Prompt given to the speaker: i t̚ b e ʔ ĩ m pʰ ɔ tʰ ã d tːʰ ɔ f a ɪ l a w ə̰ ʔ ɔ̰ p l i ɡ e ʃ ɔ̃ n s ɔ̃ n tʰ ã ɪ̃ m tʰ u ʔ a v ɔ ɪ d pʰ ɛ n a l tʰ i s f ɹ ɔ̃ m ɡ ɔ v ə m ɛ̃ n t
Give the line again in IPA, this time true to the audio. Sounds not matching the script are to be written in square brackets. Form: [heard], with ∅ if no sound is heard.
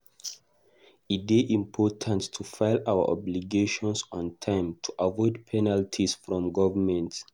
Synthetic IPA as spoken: i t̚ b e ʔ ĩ m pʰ ɔ tʰ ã [n] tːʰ [u] f a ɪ l a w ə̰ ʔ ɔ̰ [b] l i ɡ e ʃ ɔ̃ n s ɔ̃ n tʰ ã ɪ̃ m tʰ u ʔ a v ɔ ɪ d pʰ ɛ n a l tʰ i s f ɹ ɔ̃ m ɡ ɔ v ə m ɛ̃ n t